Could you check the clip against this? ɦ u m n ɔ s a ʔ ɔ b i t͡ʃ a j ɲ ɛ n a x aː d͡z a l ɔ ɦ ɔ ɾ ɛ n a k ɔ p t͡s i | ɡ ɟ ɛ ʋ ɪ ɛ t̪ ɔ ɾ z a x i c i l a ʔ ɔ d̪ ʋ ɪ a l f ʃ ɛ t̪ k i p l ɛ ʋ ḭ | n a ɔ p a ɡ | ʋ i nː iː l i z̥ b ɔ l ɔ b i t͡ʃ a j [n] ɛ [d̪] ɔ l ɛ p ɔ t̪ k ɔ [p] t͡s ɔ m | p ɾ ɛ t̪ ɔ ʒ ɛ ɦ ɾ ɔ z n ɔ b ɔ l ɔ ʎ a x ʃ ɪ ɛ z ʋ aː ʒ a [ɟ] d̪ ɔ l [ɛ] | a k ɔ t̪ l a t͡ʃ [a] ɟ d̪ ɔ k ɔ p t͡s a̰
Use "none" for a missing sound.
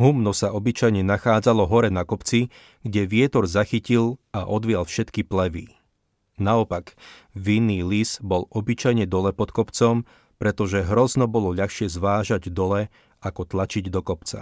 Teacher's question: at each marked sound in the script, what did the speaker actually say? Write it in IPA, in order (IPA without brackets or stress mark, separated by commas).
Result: ɲ, d̪, p, ɟ, ɛ, i